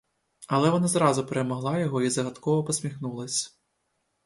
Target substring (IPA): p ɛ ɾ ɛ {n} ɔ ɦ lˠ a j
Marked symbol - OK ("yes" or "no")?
no